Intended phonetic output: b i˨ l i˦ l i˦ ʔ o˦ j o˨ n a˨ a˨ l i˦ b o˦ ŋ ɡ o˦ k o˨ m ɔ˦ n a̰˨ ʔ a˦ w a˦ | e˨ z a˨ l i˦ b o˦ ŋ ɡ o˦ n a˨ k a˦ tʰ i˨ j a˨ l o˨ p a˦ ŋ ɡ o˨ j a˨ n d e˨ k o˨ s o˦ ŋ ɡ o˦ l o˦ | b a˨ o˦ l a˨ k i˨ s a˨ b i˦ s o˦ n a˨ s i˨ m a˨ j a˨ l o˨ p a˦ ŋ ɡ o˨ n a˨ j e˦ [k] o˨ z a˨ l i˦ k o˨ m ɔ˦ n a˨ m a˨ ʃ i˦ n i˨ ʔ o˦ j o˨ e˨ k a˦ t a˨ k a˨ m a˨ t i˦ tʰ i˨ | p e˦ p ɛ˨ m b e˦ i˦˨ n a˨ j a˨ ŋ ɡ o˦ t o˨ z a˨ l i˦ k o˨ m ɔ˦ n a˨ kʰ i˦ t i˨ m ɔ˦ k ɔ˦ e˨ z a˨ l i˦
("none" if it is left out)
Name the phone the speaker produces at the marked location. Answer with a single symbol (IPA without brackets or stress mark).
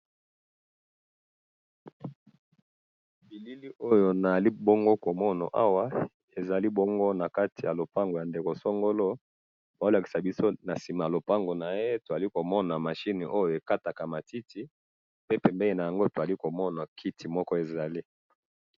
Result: t